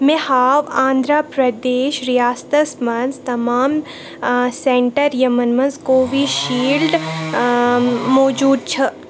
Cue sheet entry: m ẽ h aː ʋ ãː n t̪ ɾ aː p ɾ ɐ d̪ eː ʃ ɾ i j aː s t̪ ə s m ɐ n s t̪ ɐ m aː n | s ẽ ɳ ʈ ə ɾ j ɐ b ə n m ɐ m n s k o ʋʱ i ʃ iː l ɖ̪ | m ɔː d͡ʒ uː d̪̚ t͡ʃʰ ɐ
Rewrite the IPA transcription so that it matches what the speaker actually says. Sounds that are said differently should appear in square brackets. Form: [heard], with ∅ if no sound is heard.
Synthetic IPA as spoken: m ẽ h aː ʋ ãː n [d̪] ɾ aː p ɾ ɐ d̪ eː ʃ ɾ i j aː s t̪ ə s m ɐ n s t̪ ɐ m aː [m] | s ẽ ɳ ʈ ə ɾ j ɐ [m] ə n m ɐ [∅] n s k o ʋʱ i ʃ iː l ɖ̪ | m ɔː d͡ʒ uː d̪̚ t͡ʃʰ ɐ